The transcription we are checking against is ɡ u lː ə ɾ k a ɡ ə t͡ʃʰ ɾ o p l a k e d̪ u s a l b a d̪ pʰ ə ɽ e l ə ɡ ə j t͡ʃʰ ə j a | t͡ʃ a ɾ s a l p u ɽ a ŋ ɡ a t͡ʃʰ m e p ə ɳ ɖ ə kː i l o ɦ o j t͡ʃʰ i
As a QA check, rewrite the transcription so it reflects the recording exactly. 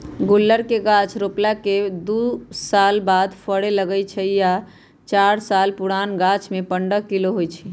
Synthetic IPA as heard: ɡ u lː ə ɾ k e ɡ a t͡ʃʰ ɾ o p l a k e d̪ u s a l b a d̪ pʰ ə ɽ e l ə ɡ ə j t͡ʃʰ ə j a | t͡ʃ a ɾ s a l p u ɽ a n ɡ a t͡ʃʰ m e p ə ɳ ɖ ə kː i l o ɦ o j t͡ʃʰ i